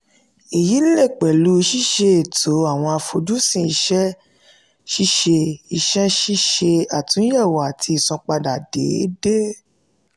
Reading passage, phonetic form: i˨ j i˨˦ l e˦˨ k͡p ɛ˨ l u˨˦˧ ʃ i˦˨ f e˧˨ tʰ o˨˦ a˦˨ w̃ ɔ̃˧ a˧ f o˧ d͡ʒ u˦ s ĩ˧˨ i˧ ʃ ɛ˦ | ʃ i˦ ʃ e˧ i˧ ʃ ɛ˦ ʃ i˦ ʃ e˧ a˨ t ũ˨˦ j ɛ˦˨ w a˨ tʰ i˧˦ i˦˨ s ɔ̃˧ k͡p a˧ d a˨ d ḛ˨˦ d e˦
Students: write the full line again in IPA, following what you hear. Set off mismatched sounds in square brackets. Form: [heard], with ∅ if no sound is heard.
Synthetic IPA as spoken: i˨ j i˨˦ l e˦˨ k͡p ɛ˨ l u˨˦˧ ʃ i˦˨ [ʃ] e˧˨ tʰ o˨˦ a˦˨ w̃ ɔ̃˧ a˧ f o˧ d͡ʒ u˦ s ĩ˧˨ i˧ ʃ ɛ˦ | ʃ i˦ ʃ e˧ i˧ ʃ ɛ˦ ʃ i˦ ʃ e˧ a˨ t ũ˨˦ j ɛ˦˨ w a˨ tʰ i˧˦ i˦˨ s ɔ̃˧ k͡p a˧ d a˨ d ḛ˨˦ d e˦